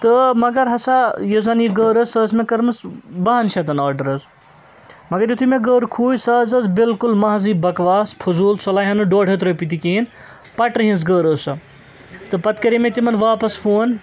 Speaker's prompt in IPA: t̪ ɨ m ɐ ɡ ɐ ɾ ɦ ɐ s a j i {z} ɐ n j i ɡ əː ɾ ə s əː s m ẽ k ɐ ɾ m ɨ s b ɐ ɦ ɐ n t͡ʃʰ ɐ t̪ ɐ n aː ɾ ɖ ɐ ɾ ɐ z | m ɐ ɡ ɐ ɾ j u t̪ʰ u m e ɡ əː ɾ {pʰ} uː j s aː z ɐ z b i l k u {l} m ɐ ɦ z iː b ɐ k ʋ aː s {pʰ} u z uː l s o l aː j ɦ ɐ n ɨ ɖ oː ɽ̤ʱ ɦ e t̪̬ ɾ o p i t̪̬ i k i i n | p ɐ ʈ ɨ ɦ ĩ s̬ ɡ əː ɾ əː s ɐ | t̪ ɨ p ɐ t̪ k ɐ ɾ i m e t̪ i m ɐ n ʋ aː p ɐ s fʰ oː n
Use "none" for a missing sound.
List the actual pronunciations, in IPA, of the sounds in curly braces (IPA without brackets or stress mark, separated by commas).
z, kʰ, l, pʰ